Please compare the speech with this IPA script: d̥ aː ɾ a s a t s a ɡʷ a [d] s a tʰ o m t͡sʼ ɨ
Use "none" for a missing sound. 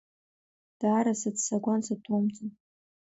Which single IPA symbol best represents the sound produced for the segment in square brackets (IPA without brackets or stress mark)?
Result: n